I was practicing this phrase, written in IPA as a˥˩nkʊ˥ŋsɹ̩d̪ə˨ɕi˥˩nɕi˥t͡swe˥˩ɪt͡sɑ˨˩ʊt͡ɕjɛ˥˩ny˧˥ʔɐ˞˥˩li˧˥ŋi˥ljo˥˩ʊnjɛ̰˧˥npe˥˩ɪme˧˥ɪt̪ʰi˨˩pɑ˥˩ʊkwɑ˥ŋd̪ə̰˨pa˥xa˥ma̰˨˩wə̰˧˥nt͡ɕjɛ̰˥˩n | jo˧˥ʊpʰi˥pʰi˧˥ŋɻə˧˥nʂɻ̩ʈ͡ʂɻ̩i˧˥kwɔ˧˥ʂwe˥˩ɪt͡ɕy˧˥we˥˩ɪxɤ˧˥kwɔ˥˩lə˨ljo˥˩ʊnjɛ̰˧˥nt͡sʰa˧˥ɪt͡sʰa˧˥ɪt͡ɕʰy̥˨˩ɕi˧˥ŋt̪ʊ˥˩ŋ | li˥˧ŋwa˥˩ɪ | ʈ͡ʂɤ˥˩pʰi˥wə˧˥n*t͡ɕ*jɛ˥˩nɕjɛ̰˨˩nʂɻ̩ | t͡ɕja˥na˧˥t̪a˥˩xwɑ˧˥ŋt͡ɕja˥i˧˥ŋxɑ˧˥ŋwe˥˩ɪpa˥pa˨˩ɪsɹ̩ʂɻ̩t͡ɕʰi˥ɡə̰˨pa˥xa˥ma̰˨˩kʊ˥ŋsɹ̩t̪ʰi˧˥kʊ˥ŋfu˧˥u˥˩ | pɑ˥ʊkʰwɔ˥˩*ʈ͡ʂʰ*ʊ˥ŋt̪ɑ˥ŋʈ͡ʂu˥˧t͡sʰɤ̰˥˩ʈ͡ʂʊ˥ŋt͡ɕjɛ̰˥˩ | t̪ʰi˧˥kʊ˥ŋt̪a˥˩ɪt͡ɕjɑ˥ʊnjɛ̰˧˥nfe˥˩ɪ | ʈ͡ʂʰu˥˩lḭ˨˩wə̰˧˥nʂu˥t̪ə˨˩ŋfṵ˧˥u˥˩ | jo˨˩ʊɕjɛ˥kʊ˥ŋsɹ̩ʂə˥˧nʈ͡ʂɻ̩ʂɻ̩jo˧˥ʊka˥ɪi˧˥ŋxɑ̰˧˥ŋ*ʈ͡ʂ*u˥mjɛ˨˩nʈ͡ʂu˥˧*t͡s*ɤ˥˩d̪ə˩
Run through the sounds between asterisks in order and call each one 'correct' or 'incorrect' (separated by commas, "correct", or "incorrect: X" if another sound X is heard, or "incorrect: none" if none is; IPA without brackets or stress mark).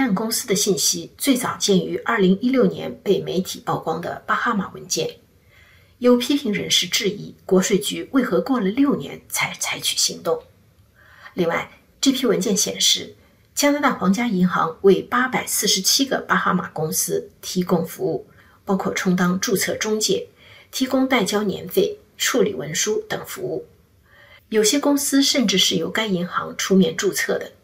correct, correct, incorrect: ʈ͡ʂʰ, incorrect: t͡sʰ